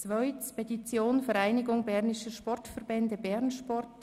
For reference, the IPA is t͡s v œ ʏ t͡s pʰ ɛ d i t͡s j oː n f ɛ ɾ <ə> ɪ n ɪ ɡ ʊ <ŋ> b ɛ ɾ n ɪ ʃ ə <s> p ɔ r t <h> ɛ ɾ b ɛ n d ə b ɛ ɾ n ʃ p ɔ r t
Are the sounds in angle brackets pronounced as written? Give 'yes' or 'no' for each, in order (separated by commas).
no, yes, no, no